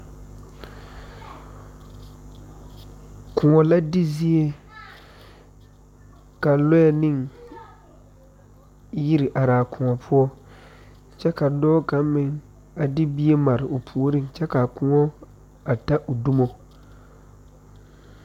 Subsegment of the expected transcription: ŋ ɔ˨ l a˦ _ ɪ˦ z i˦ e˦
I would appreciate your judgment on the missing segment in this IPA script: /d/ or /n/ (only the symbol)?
d